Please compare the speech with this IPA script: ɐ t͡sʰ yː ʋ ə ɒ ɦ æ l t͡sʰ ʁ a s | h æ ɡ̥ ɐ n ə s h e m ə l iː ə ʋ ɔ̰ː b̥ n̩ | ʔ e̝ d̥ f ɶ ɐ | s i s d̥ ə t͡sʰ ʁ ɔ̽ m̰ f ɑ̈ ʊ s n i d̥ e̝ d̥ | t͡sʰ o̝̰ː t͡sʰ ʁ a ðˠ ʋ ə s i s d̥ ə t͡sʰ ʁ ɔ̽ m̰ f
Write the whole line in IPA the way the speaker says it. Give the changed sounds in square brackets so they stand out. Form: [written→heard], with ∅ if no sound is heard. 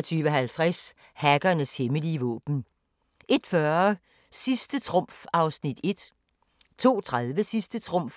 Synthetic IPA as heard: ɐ t͡sʰ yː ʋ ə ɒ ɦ æ l t͡sʰ ʁ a s | h æ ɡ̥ ɐ n ə s h e m ə l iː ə ʋ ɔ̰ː b̥ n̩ | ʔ e̝ d̥ f ɶ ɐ | s i s d̥ ə t͡sʰ ʁ ɔ̽ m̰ f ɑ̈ ʊ s n i d̥ e̝ d̥ | t͡sʰ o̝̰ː t͡sʰ ʁ a ðˠ ʋ ə s i s d̥ ə t͡sʰ ʁ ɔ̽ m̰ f